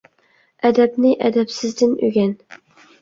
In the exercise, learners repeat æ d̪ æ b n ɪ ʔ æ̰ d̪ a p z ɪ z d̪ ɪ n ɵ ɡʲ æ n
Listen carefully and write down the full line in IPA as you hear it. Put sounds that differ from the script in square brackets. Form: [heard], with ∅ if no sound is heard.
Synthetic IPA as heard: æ d̪ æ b n ɪ ʔ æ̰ d̪ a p [s] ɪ z d̪ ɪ n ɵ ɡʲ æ n